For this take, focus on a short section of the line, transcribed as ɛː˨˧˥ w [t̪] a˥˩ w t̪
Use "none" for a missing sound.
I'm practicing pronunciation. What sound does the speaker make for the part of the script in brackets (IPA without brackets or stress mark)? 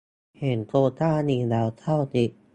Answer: t̪ʰ